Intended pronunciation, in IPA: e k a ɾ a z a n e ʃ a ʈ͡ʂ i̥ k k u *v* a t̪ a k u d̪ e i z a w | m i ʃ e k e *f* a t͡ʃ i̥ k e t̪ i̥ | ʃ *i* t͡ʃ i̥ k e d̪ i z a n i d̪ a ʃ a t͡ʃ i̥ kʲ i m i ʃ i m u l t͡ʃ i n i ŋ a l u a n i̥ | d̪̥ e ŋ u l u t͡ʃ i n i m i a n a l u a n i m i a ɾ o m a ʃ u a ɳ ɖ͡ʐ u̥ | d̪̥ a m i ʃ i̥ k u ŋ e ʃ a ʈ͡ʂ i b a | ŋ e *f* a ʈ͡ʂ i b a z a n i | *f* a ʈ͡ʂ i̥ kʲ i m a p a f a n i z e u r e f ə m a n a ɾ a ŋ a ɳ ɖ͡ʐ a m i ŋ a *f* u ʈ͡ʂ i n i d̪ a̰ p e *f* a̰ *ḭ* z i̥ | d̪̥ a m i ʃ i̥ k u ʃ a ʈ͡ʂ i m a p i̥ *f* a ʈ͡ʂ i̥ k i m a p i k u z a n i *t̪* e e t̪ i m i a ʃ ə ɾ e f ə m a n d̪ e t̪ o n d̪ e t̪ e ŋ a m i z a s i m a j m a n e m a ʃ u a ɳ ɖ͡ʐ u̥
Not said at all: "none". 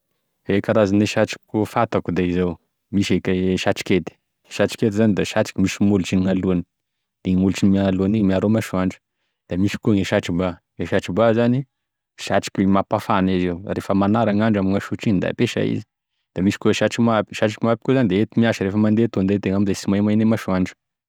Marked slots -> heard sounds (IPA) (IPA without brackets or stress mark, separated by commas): f, ʃ, a, ʃ, ʃ, ʃ, ʃ, ḭ, ʃ, d̪